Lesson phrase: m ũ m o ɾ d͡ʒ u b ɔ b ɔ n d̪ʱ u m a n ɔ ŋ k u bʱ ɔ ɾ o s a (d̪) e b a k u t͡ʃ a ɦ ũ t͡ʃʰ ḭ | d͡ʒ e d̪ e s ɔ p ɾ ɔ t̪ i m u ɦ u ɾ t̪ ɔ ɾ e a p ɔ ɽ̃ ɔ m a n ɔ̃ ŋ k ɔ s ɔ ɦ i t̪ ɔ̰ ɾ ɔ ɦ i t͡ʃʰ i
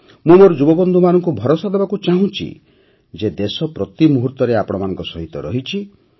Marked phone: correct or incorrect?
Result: correct